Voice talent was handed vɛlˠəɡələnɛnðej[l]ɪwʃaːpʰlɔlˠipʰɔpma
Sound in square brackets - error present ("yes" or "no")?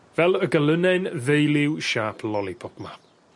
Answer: no